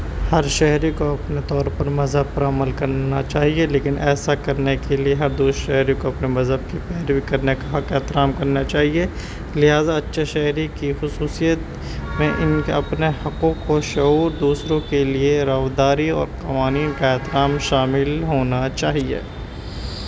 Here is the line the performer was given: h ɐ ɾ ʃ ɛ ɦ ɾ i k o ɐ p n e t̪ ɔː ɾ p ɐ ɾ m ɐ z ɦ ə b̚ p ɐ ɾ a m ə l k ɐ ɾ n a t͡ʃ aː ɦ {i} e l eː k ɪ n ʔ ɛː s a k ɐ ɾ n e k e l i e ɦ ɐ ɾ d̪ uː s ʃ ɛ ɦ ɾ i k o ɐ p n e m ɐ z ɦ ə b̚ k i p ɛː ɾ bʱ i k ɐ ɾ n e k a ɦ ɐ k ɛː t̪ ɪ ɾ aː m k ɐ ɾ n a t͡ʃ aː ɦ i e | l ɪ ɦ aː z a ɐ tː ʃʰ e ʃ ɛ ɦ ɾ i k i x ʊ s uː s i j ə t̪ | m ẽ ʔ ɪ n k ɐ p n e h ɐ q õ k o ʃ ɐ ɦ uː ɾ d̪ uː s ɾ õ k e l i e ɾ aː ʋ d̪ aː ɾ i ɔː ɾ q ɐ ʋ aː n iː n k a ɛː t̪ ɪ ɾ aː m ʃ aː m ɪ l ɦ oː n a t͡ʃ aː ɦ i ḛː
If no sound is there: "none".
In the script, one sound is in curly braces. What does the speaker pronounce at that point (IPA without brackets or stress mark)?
i